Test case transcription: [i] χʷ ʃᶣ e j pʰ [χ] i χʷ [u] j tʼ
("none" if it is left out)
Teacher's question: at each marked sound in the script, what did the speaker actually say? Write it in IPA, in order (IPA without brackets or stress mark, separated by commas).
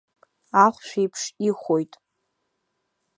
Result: a, ʂ, o